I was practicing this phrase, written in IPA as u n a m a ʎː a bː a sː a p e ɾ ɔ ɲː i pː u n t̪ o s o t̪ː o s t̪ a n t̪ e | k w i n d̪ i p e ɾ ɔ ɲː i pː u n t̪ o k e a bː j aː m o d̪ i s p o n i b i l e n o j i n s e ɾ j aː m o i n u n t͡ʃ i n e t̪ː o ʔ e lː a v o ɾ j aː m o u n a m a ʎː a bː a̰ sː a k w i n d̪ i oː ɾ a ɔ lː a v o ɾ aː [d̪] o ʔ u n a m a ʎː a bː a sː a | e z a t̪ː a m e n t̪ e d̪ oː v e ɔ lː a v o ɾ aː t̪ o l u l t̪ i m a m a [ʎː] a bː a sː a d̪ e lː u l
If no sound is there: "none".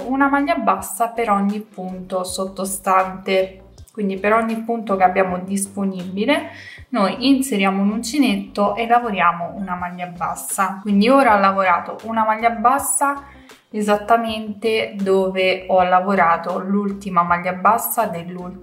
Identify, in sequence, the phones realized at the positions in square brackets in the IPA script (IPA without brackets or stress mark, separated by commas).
t̪, ʎː